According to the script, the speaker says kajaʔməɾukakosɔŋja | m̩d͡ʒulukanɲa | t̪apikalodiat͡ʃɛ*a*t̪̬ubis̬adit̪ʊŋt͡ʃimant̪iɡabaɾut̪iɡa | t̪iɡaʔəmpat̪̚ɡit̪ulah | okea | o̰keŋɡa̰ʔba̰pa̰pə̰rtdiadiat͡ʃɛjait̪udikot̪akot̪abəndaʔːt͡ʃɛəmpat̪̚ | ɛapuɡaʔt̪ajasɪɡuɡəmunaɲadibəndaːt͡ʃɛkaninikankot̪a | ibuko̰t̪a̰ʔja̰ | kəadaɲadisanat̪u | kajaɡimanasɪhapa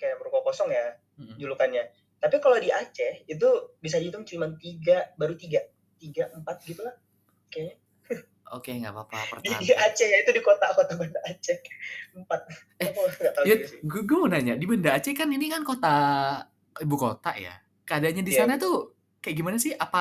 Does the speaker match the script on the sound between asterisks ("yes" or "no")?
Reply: no